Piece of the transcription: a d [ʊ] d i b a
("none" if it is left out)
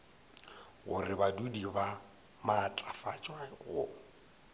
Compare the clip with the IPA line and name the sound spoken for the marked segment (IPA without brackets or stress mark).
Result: u